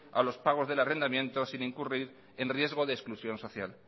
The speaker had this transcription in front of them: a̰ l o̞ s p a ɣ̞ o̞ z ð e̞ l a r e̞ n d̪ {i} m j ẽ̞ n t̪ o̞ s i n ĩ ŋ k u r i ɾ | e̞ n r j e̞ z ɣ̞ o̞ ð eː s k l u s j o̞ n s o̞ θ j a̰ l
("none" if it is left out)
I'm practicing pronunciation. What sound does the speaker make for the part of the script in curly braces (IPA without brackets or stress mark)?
a